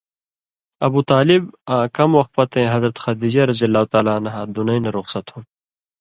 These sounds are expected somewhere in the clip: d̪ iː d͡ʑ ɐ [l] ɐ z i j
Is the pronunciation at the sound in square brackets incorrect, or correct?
incorrect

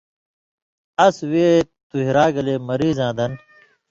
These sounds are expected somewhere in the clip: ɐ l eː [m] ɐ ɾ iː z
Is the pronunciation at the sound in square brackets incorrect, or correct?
correct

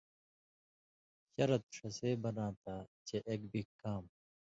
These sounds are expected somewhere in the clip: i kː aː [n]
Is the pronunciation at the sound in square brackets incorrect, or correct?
incorrect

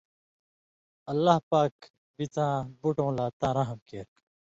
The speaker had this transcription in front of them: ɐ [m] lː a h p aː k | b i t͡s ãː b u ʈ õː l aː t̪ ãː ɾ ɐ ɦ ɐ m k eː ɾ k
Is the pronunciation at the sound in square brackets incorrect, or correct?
incorrect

